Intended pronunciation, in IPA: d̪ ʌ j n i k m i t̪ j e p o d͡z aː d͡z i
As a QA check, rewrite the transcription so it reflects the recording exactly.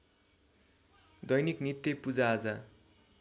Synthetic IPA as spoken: d̪ ʌ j n i k n i t̪ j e p u d͡z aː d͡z a